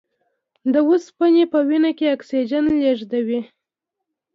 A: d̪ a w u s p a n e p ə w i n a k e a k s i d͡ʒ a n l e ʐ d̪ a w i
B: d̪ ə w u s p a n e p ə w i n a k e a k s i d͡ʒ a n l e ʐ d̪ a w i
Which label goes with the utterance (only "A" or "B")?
B